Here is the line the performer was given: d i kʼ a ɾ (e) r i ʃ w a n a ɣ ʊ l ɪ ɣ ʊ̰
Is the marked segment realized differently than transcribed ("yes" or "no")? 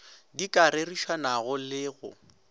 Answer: no